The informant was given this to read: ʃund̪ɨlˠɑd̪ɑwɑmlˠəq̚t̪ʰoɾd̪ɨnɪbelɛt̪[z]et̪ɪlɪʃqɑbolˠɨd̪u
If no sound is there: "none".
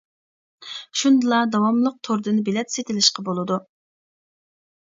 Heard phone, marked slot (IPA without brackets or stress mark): s